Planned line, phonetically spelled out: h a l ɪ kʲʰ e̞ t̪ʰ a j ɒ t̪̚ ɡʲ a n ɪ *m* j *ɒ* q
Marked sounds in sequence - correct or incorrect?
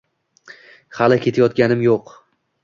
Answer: correct, incorrect

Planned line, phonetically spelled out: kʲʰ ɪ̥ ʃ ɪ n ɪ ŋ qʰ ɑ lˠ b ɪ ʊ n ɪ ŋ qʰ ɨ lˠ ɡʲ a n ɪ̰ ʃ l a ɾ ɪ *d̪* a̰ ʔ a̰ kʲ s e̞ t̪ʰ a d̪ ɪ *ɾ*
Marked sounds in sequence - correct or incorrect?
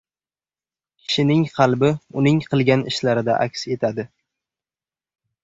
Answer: correct, incorrect

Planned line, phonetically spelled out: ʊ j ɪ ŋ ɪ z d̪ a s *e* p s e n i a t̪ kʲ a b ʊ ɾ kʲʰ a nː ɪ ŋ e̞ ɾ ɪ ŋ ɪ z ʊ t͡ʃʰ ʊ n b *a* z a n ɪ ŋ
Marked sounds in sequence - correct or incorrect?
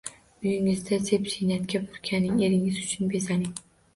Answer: correct, incorrect

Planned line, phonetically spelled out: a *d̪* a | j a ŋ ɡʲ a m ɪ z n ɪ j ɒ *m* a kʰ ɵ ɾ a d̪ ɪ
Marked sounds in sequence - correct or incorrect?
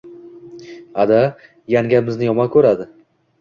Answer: correct, correct

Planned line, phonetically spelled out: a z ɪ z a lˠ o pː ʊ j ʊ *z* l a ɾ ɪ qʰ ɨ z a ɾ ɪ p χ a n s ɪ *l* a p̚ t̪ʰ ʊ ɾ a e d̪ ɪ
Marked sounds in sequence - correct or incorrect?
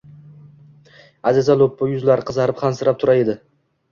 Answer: correct, incorrect

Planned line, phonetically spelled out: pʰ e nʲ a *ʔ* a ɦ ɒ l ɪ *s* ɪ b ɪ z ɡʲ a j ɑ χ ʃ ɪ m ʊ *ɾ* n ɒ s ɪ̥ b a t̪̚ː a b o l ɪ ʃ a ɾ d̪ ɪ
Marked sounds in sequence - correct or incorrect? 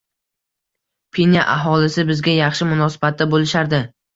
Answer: correct, correct, incorrect

